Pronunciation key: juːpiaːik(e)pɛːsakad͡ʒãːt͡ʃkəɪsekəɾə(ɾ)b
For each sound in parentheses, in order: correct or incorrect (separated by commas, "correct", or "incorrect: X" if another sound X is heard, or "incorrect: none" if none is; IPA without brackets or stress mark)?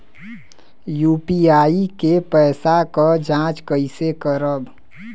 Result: correct, incorrect: none